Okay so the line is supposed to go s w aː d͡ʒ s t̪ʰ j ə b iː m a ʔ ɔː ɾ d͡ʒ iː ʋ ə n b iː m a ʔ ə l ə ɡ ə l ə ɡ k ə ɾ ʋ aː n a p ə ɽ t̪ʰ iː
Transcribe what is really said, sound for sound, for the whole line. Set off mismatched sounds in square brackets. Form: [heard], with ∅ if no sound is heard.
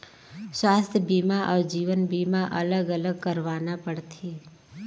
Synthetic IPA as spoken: s w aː [∅] s t̪ʰ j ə b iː m a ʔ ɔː ɾ d͡ʒ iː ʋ ə n b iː m a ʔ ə l ə ɡ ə l ə ɡ k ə ɾ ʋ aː n a p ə ɽ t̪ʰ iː

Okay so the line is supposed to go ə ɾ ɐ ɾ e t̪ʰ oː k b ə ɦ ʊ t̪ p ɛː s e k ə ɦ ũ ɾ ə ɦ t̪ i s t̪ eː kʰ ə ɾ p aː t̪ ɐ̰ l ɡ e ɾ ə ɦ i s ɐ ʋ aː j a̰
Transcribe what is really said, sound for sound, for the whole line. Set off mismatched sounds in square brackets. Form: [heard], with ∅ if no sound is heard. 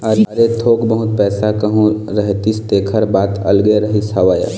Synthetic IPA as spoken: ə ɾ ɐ ɾ e t̪ʰ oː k b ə ɦ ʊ t̪ p ɛː s [a] k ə ɦ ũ ɾ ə ɦ t̪ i s t̪ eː kʰ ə ɾ [b] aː t̪ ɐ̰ l ɡ e ɾ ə ɦ i s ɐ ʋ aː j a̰

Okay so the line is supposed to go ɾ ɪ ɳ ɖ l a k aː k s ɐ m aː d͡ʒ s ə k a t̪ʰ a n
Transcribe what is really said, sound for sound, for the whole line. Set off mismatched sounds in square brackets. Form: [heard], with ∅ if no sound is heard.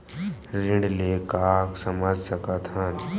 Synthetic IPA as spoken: ɾ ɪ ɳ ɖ l [e] k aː k s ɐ m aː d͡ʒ s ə k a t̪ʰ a n

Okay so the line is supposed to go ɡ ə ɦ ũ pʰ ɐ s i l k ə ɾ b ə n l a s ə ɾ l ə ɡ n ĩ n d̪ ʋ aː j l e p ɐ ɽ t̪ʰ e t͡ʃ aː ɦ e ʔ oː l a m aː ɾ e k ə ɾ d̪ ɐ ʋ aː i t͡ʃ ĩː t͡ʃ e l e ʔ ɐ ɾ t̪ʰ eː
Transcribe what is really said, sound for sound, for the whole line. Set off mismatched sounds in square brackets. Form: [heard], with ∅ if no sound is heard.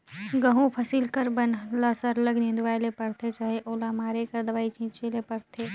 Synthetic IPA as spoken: ɡ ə ɦ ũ pʰ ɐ s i l k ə ɾ b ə n l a s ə ɾ l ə ɡ n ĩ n d̪ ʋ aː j l e p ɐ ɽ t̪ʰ e t͡ʃ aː ɦ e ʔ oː l a m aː ɾ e k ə ɾ d̪ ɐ ʋ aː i t͡ʃ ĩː t͡ʃ e l e [p] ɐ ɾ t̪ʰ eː

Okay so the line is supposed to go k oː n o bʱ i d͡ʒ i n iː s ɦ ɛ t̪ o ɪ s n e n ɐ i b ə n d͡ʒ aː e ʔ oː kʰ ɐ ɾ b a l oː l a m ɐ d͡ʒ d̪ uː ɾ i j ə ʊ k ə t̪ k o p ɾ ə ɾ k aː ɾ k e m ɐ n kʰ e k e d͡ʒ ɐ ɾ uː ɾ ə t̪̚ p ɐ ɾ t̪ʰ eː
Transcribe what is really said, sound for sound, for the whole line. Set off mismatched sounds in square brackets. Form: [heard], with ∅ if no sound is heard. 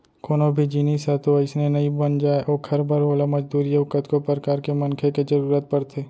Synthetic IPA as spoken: k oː n o bʱ i d͡ʒ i n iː s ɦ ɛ t̪ o ɪ s n e n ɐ i b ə n d͡ʒ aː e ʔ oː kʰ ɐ ɾ b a [ɾ] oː l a m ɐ d͡ʒ d̪ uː ɾ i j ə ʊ k ə t̪ k o p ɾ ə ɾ k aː ɾ k e m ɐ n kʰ e k e d͡ʒ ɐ ɾ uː ɾ ə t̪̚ p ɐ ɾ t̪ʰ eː

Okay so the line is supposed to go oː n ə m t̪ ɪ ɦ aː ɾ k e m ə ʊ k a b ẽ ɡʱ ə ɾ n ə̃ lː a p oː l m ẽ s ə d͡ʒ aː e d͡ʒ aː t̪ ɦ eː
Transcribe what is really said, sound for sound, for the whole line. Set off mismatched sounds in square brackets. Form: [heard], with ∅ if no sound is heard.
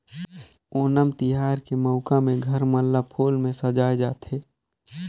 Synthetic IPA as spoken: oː n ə m t̪ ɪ ɦ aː ɾ k e m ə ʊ k a [m] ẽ ɡʱ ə ɾ [m] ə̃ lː a [pʰ] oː l m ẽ s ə d͡ʒ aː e d͡ʒ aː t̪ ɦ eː

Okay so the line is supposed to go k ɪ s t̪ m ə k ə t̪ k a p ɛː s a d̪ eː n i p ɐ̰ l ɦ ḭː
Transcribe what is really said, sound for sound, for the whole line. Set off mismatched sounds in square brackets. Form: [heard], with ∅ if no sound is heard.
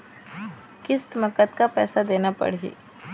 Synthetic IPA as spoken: k ɪ s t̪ m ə k ə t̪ k a p ɛː s a d̪ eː n [a] p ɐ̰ [ɽ] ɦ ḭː

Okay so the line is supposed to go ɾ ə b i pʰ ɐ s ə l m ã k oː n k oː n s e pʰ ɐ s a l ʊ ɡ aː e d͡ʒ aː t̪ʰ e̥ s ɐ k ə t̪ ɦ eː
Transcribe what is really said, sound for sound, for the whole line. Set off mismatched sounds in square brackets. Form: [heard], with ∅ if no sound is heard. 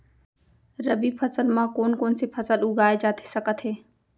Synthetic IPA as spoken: ɾ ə b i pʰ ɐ s ə l m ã k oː n k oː n s e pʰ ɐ s [ə] l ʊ ɡ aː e d͡ʒ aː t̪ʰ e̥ s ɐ k ə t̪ ɦ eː

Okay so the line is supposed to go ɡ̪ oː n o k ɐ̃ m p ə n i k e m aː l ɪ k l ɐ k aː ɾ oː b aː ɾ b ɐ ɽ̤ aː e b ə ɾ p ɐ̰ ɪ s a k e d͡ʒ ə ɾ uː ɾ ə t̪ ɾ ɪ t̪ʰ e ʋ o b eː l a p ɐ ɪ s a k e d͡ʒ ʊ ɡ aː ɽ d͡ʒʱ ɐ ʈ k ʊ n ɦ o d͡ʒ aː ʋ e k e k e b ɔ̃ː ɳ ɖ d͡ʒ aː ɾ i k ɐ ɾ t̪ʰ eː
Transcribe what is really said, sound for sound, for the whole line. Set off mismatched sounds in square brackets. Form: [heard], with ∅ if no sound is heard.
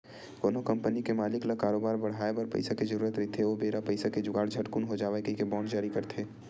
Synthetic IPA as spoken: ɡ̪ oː n o k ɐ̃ m p ə n i k e m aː l ɪ k l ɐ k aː ɾ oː b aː ɾ b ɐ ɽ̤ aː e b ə ɾ p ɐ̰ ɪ s a k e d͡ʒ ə ɾ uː ɾ ə t̪ ɾ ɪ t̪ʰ e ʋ o b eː [ɾ] a p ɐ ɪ s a k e d͡ʒ ʊ ɡ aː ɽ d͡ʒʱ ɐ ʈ k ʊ n ɦ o d͡ʒ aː ʋ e k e k e b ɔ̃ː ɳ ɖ d͡ʒ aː ɾ i k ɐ ɾ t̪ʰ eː

